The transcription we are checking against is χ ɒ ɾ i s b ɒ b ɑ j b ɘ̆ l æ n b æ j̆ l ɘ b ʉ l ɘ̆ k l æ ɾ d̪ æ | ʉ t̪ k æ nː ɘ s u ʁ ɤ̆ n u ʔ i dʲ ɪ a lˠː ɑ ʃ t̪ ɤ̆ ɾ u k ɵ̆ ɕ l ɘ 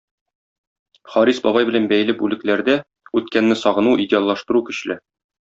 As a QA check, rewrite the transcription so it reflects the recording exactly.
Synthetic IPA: χ ɒ ɾ i s b ɒ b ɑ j b ɘ̆ l æ n b æ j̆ l ɘ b ʉ l ɘ̆ k l æ ɾ d̪ æ | ʉ t̪ k æ nː ɘ s ɒ ʁ ɤ̆ n u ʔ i dʲ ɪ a lˠː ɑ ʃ t̪ ɤ̆ ɾ u k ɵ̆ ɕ l ɘ